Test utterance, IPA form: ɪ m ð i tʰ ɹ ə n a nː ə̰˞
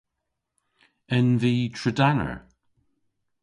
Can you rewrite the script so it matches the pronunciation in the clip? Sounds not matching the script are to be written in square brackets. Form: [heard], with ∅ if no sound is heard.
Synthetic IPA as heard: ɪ [n] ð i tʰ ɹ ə [d] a [n] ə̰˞